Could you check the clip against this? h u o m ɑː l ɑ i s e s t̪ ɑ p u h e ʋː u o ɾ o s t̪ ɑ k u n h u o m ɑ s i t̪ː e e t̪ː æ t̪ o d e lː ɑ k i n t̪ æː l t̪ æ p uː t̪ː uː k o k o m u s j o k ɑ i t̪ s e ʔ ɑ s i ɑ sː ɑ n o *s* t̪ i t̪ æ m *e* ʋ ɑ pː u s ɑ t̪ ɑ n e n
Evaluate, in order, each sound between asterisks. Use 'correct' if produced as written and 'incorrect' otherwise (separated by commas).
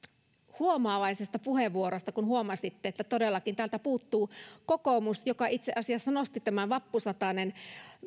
correct, incorrect